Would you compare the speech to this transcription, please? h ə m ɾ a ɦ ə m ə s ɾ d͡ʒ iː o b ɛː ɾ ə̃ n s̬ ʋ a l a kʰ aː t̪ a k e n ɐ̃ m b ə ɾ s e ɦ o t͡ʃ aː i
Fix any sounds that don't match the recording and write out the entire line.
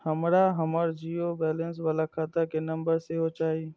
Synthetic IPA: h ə m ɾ a ɦ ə m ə ɾ d͡ʒ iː o b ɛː l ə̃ n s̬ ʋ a l a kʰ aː t̪ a k e n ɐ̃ m b ə ɾ s e ɦ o t͡ʃ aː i

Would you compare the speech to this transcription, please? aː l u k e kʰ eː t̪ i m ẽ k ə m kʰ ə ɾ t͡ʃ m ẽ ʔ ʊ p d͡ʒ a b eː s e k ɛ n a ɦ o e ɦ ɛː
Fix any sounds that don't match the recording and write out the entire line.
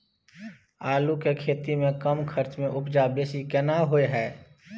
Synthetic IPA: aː l u k e kʰ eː t̪ i m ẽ k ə m kʰ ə ɾ t͡ʃ m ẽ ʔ ʊ p d͡ʒ a b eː s i k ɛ n a ɦ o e ɦ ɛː

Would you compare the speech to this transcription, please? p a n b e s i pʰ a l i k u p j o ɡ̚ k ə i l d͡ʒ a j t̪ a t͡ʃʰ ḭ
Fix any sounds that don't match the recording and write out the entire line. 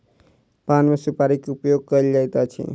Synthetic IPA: p a n m e s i p a ɾ i k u p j o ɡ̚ k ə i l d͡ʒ a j t̪ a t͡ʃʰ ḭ

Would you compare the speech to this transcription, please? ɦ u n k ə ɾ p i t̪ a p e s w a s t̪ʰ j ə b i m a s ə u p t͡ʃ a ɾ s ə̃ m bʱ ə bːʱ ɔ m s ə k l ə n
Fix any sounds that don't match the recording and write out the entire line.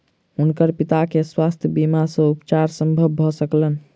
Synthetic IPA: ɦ u n k ə ɾ p i t̪ a k e s w a s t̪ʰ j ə b i m a s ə u p t͡ʃ a ɾ s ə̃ m bʱ ə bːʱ ɔ s ə k l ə n

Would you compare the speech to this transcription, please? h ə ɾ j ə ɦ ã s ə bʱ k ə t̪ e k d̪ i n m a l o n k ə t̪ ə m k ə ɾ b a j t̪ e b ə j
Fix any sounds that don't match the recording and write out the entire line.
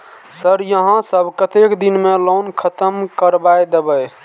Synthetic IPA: s ə ɾ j ə ɦ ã s ə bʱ k ə t̪ e k d̪ i n m e l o n kʰ ə t̪ ə m k ə ɾ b a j d̪ e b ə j

